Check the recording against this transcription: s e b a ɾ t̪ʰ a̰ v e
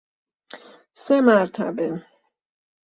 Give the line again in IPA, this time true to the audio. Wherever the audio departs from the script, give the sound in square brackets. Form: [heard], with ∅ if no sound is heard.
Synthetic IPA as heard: s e [m] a ɾ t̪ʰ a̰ [b] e